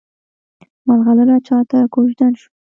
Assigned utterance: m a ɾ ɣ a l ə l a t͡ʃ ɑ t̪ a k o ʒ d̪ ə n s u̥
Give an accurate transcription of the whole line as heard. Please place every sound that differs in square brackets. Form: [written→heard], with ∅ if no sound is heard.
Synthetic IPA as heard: m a [ɾ→l] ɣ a l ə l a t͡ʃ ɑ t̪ a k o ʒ d̪ [ə→a] n [s→ʃ] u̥